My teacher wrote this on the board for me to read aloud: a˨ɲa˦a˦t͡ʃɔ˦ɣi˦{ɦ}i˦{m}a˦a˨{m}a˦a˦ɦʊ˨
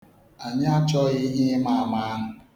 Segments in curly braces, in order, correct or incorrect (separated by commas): correct, correct, correct